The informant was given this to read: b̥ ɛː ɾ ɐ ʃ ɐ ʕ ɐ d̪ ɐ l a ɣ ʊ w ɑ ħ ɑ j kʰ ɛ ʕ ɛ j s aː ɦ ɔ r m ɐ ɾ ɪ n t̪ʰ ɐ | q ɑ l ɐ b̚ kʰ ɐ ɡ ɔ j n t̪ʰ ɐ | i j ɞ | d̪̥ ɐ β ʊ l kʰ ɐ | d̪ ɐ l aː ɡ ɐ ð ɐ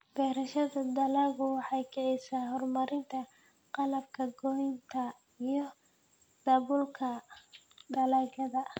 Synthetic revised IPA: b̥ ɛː ɾ ɐ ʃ ɐ ð ɐ d̪ ɐ l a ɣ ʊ w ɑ ħ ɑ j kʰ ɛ ʕ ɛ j s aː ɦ ɔ r m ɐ ɾ ɪ n t̪ʰ ɐ | q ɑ l ɐ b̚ kʰ ɐ ɡ ɔ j n t̪ʰ ɐ | i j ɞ | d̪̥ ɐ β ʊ l kʰ ɐ | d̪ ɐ l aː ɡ ɐ ð ɐ